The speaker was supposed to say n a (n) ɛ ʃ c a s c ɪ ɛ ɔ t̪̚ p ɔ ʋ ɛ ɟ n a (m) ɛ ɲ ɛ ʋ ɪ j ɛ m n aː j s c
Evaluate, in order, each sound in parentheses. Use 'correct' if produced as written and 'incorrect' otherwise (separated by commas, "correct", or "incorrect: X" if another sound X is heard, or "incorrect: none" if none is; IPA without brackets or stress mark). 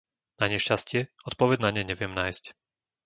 incorrect: ɲ, incorrect: ɲ